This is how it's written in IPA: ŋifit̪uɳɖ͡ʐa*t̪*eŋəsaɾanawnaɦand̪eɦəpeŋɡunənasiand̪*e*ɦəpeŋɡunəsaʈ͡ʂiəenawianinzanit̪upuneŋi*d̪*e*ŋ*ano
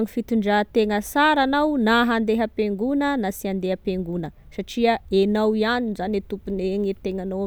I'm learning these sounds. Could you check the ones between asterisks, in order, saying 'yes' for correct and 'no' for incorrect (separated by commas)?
yes, yes, no, yes